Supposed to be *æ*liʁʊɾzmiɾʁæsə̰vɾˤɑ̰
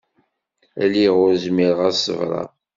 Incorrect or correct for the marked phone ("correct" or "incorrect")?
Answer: correct